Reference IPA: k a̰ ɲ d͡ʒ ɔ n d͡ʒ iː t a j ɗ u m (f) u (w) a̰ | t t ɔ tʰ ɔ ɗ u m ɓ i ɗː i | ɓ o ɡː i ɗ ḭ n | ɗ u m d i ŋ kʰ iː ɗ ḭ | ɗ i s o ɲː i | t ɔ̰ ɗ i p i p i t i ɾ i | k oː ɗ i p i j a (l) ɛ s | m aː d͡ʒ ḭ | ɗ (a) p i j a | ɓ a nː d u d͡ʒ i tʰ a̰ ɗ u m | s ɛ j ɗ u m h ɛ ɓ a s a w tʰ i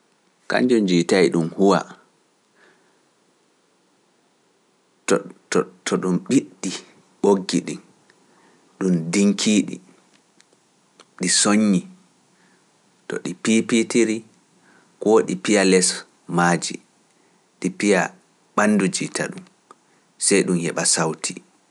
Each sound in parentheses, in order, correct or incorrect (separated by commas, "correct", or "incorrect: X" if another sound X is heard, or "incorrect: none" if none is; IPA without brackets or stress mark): incorrect: h, correct, correct, incorrect: i